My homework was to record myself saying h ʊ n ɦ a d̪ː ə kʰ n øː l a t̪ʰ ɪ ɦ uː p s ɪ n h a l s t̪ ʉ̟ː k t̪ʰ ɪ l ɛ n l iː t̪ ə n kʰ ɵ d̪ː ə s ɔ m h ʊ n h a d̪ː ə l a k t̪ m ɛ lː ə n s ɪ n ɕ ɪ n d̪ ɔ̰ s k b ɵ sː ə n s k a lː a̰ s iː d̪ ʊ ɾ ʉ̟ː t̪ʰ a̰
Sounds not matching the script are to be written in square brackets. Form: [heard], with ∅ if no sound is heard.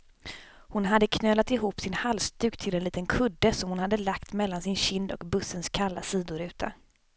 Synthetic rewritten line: h ʊ n ɦ a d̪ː ə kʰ n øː l a [t̪] ɪ ɦ uː p s ɪ n h a l s t̪ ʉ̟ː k t̪ʰ ɪ l ɛ n l iː t̪ ə n kʰ ɵ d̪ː ə s ɔ m h ʊ n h a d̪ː ə l a k t̪ m ɛ lː [a] n s ɪ n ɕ ɪ n d̪ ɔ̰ [∅] k b ɵ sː ə n s [kʰ] a lː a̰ s iː d̪ ʊ ɾ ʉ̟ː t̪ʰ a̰